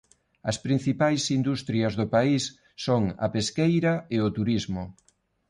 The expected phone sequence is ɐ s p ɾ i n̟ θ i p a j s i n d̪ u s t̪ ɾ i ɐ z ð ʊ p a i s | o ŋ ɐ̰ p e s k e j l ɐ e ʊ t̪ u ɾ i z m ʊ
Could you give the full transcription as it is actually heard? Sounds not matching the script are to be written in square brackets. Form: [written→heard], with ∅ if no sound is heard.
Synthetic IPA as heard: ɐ s p ɾ i n̟ θ i p a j s i n d̪ u s t̪ ɾ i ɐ z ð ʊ p a i [s→sː] | o ŋ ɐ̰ p e s k e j [l→ɾ] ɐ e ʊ t̪ u ɾ i z m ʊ